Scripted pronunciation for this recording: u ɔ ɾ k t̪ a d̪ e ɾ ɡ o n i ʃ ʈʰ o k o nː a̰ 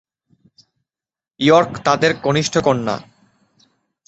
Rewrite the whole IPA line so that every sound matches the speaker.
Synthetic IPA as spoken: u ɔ ɾ k t̪ a d̪ e ɾ ɡ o n i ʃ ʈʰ o k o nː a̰